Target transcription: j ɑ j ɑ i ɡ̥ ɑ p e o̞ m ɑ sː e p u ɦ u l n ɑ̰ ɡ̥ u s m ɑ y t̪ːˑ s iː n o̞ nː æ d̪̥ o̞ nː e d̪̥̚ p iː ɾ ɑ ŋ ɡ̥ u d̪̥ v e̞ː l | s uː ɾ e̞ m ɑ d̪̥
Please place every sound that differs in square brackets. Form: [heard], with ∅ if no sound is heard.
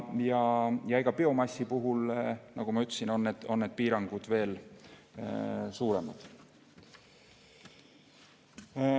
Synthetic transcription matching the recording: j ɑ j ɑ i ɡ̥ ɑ p e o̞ m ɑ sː [i] p u ɦ u l n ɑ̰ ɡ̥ u [∅] m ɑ y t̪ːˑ s [i] n o̞ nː [e] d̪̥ o̞ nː e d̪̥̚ p iː ɾ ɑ ŋ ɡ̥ u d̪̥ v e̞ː l | s uː ɾ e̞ m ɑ d̪̥